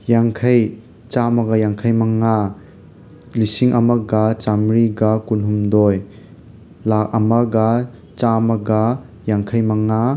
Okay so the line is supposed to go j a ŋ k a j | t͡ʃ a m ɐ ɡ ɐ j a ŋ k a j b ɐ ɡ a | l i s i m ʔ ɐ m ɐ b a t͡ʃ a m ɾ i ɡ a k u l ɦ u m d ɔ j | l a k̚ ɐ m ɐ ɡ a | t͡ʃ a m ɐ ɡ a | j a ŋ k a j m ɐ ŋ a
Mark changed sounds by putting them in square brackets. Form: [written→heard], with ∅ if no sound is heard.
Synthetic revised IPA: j a ŋ [k→kʰ] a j | t͡ʃ a m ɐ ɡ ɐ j a ŋ [k→kʰ] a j [b→m] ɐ [ɡ→ŋ] a | l i s i [m→ŋ] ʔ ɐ m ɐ [b→ɡ] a t͡ʃ a m ɾ i ɡ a k u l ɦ u m d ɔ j | l a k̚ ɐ m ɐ ɡ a | t͡ʃ a m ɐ ɡ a | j a ŋ [k→kʰ] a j m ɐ ŋ a